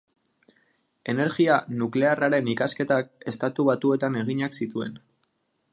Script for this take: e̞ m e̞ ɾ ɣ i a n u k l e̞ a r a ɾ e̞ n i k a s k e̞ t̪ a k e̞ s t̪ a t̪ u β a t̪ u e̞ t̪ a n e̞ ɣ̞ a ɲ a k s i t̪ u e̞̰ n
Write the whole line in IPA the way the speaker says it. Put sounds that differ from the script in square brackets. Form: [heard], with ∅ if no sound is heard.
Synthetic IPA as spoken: e̞ [n] e̞ ɾ ɣ i a n u k l e̞ a r a ɾ e̞ n i k a s k e̞ t̪ a k e̞ s t̪ a t̪ u β a t̪ u e̞ t̪ a n e̞ ɣ̞ [i] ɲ a k s i t̪ u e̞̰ n